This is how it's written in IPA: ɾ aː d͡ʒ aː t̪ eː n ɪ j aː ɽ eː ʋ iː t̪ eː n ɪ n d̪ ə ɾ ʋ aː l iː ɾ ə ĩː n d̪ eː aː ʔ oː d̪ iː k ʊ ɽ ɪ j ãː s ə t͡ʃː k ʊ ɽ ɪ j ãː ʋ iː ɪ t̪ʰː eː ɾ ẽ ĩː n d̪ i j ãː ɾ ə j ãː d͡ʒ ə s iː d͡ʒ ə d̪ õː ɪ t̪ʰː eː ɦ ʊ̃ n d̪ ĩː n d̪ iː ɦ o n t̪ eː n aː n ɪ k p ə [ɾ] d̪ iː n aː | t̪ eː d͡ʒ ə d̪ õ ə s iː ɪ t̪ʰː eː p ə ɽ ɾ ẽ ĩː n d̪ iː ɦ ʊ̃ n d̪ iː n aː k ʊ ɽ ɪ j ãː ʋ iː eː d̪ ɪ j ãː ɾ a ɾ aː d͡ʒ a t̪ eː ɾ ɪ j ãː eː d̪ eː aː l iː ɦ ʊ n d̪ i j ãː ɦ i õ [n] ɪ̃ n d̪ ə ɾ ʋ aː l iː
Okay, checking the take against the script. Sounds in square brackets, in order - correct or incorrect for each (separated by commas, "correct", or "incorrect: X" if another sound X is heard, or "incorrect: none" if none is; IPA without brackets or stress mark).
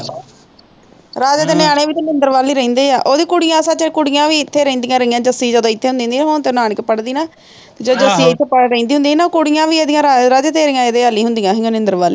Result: incorrect: ɽ, correct